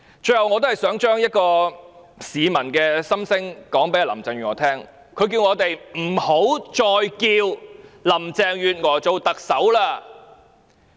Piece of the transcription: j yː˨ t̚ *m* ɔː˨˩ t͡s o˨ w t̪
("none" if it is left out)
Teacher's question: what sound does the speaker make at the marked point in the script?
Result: ŋ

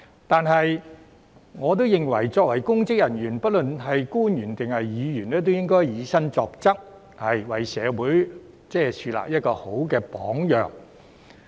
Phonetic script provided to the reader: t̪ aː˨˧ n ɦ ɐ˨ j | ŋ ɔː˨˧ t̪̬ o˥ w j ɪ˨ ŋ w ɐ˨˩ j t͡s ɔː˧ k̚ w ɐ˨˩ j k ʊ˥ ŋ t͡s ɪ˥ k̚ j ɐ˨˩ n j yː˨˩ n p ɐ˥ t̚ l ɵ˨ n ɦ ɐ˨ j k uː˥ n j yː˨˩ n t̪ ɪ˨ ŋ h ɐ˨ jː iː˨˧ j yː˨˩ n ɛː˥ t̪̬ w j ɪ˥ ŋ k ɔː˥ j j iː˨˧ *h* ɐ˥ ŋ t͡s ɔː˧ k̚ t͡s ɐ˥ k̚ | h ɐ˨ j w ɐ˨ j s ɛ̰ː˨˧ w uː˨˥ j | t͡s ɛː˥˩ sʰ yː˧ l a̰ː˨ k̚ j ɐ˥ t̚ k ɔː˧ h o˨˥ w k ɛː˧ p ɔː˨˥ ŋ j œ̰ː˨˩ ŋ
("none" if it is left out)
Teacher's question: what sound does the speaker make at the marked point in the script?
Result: s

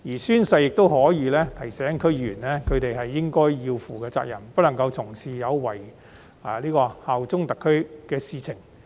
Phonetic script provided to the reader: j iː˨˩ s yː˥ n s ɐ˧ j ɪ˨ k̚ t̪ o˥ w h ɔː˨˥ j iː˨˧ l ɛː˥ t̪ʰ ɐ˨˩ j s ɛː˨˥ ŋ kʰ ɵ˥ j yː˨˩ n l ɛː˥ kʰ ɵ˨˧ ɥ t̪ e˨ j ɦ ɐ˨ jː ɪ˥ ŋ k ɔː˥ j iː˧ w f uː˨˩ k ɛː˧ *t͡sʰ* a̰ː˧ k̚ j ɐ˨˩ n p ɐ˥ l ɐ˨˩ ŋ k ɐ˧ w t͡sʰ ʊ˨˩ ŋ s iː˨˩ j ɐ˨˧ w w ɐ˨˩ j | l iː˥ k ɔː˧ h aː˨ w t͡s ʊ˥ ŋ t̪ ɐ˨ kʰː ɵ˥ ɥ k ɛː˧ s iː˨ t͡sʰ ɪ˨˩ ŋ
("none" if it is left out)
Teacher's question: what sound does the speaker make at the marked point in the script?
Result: t͡s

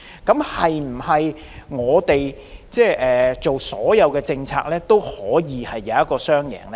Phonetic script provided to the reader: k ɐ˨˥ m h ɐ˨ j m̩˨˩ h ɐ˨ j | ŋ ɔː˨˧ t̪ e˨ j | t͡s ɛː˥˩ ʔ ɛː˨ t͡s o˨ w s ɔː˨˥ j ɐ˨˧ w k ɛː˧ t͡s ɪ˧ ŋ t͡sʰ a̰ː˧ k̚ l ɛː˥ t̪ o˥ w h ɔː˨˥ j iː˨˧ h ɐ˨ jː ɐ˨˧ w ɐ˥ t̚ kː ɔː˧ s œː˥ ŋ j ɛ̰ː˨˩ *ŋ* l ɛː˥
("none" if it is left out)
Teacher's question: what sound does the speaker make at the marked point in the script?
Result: ŋ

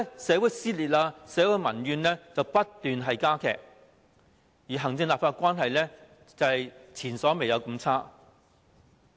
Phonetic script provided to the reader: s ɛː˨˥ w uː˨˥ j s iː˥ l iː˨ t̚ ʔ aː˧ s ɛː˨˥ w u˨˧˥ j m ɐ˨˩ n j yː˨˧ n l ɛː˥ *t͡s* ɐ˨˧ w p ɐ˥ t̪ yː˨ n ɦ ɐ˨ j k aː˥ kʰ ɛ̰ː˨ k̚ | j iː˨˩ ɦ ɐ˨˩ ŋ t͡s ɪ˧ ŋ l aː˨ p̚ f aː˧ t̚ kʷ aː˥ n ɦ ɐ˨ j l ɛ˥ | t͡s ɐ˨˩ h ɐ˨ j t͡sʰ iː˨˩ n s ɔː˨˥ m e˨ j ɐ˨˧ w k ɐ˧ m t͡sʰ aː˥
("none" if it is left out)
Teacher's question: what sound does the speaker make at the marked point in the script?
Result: t͡s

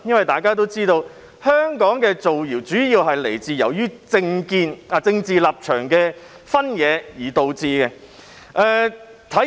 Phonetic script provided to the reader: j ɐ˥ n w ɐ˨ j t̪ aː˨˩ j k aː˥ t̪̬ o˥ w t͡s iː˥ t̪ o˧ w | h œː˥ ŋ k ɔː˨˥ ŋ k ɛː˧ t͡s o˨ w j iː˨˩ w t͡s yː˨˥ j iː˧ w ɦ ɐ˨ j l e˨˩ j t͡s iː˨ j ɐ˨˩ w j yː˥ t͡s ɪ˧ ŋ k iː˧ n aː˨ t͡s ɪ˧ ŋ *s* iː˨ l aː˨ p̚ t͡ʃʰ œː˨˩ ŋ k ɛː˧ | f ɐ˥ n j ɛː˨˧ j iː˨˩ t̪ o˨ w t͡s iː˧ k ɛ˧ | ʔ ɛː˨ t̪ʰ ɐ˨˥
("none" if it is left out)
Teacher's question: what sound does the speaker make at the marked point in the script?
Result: t͡s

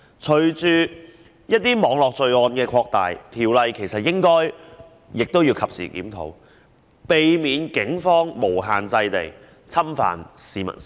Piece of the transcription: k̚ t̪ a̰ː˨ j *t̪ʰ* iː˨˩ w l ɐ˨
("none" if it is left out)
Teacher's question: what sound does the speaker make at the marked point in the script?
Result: t̪ʰ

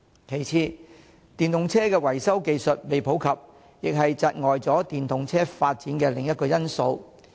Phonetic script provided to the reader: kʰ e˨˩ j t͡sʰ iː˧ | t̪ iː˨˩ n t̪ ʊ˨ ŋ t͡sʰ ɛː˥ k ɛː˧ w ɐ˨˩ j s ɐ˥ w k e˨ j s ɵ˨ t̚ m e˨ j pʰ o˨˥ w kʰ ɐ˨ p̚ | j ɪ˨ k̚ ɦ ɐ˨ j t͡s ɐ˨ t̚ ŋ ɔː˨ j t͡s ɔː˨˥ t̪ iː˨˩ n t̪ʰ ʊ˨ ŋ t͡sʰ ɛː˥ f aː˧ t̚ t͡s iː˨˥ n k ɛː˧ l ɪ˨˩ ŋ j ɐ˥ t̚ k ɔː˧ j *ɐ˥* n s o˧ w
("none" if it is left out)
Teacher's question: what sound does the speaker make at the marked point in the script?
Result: ɐ˥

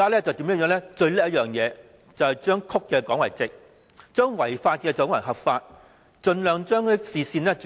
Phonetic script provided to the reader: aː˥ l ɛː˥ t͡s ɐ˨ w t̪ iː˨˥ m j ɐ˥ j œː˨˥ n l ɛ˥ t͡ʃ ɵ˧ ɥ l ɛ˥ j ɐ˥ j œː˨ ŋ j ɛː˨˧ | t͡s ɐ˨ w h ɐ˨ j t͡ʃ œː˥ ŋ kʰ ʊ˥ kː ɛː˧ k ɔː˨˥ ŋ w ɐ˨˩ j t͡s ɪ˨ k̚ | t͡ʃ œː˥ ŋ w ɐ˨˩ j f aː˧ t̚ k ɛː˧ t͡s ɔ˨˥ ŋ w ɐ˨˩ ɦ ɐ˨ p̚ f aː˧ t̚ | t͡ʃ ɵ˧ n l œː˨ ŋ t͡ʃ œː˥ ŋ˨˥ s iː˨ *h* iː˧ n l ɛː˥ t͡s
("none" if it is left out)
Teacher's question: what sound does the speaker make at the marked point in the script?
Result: s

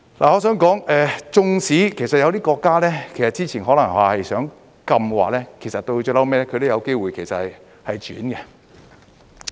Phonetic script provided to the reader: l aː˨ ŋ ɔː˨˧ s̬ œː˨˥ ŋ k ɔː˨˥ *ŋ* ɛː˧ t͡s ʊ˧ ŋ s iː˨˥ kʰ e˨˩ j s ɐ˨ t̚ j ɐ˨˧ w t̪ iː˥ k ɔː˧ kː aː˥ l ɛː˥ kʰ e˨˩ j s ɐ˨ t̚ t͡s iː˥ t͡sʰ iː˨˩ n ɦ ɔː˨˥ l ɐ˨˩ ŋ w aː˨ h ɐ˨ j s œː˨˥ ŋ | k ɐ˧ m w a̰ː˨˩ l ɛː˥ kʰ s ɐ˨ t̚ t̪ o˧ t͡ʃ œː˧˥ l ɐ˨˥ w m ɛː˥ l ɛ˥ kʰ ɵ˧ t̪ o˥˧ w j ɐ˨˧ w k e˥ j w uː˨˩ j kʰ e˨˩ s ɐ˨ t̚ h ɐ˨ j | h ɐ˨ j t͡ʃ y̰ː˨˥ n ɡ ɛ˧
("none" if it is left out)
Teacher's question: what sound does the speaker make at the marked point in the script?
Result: ŋ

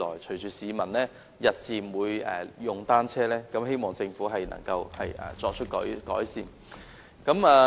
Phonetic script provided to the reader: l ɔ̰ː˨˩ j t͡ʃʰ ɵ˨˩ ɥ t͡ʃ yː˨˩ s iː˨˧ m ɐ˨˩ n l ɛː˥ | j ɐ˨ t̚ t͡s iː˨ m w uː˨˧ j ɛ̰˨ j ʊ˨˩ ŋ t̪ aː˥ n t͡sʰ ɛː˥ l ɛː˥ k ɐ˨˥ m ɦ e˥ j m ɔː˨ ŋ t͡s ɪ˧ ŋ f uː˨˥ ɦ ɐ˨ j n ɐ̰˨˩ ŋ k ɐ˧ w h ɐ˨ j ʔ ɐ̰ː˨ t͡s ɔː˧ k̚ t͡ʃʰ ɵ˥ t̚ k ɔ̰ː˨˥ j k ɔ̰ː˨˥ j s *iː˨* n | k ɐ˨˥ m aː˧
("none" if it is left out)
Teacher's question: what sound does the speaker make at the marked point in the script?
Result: iː˨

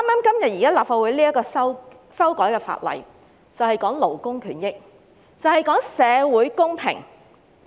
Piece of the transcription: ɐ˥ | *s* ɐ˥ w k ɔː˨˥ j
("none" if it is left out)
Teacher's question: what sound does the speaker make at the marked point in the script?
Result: s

